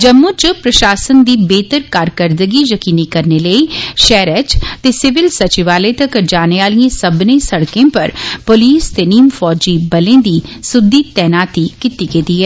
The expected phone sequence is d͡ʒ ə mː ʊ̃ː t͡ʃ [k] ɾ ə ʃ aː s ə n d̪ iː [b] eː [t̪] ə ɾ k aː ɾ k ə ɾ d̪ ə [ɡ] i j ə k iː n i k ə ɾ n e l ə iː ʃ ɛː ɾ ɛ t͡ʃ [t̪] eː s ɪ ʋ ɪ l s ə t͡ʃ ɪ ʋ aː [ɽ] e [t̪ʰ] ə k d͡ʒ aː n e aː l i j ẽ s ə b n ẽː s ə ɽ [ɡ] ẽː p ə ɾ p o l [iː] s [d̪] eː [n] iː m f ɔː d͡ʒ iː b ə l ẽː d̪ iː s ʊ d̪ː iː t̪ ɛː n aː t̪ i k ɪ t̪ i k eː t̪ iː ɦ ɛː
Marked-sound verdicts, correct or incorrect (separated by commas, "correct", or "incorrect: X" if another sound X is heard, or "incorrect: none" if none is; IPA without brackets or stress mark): incorrect: p, correct, correct, correct, correct, incorrect: l, incorrect: t̪, incorrect: k, correct, incorrect: t̪, correct